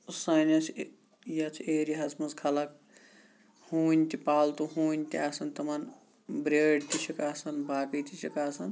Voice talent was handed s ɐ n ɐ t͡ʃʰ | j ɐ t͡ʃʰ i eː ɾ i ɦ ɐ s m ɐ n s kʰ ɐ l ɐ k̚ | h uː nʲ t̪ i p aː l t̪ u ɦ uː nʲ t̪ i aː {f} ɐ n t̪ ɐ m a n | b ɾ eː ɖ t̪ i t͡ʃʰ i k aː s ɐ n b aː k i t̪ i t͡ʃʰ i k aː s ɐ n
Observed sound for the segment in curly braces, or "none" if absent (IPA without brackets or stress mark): s